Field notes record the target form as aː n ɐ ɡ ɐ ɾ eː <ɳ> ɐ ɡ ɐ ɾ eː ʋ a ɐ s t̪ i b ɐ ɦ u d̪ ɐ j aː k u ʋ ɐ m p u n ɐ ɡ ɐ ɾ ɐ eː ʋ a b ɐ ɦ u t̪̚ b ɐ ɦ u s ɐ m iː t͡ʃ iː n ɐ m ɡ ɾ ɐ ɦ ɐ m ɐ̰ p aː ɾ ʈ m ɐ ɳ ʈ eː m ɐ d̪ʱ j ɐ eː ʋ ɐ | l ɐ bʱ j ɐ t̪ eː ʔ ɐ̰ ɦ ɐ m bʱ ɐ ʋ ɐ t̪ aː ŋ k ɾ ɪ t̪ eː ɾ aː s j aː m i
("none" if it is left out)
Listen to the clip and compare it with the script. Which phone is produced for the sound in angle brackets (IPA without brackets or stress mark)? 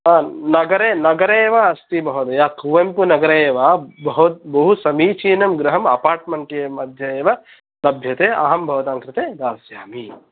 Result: n